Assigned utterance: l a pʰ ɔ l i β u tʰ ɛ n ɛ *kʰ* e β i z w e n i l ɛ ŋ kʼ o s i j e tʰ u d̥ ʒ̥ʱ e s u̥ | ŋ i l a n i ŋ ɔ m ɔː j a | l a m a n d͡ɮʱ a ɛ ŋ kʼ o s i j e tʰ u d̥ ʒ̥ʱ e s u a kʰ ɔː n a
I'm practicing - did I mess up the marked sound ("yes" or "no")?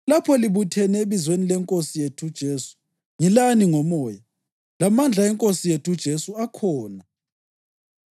yes